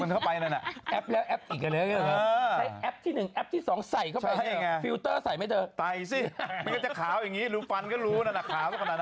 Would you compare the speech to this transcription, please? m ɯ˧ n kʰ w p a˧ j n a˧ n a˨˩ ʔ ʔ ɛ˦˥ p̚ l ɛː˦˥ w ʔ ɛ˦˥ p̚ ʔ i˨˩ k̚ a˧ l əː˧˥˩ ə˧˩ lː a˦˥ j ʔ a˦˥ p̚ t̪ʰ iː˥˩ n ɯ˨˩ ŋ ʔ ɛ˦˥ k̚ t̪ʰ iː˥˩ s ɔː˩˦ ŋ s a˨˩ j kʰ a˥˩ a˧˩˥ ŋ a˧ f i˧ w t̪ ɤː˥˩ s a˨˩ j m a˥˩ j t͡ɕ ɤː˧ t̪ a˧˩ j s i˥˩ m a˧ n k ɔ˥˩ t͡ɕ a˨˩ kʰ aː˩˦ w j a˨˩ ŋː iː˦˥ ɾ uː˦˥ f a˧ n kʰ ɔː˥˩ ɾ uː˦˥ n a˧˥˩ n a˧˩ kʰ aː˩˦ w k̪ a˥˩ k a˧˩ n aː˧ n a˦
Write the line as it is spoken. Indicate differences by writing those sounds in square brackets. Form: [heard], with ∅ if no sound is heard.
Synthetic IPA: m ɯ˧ n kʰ w p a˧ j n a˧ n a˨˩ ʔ ʔ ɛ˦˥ p̚ l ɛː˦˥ w ʔ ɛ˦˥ p̚ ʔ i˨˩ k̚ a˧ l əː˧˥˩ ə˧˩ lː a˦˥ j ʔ [ɛ˦˥] p̚ t̪ʰ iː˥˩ n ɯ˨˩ ŋ ʔ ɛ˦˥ [p̚] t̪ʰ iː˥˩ s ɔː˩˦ ŋ s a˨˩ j kʰ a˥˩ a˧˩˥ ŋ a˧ f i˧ w t̪ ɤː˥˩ s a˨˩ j m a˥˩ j t͡ɕ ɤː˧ t̪ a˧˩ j s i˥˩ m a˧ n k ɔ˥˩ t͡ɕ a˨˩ kʰ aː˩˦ w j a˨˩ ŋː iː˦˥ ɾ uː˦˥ f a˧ n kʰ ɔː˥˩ ɾ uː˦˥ n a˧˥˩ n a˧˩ kʰ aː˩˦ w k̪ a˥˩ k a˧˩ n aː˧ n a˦